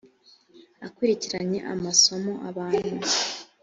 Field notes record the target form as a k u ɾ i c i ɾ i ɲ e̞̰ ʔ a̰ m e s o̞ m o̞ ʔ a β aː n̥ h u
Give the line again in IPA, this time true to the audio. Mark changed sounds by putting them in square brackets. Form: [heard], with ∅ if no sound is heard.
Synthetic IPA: a k u ɾ i c i ɾ [a] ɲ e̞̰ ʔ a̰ m [a] s o̞ m o̞ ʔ a β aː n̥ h u